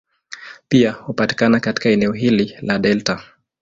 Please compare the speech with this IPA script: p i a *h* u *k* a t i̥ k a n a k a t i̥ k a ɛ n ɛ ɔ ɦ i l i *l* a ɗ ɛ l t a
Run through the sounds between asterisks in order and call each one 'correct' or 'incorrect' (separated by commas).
correct, incorrect, correct